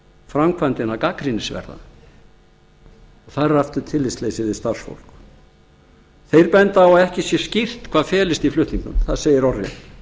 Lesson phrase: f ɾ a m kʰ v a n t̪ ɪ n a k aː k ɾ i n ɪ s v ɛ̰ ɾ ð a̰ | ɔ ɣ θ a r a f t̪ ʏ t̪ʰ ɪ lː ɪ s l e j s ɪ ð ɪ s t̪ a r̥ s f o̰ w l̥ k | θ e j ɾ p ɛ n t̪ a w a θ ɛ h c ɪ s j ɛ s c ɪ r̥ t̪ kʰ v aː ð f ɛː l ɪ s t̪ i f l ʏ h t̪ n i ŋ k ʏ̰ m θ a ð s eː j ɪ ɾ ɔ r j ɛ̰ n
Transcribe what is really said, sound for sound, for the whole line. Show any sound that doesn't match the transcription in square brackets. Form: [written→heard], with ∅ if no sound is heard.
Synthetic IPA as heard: f ɾ a m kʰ v a n t̪ ɪ n a k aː k ɾ i n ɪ s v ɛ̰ ɾ ð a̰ | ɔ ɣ θ a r a f t̪ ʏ t̪ʰ ɪ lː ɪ s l e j s ɪ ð ɪ s t̪ a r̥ s f o̰ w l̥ k | θ e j ɾ p ɛ n t̪ a w a [θ→ð] ɛ h c ɪ s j ɛ s c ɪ r̥ t̪ kʰ v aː ð f ɛː l ɪ s t̪ i f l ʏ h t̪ n i ŋ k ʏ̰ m θ a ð s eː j ɪ ɾ ɔ r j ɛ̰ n